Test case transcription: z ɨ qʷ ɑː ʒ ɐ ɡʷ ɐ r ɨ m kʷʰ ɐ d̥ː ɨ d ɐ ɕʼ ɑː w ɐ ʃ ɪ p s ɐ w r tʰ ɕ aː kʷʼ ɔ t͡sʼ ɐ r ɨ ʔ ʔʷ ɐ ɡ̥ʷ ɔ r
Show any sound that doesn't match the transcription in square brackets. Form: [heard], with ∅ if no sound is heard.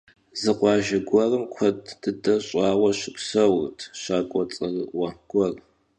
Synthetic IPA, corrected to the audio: z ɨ qʷ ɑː ʒ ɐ ɡʷ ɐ r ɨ m kʷʰ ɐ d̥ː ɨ d ɐ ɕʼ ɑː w ɐ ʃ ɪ p s ɐ w r tʰ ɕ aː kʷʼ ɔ t͡sʼ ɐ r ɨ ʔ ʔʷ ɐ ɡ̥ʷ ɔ r